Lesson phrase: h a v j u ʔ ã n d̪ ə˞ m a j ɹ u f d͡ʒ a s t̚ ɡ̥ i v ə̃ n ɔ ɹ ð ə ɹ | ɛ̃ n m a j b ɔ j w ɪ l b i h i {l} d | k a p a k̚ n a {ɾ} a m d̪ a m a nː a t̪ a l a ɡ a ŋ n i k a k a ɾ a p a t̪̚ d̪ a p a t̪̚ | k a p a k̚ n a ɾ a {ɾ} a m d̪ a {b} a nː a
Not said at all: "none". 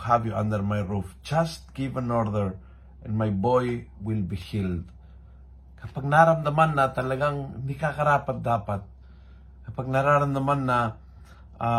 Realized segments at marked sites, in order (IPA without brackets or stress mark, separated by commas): l, ɾ, ɾ, m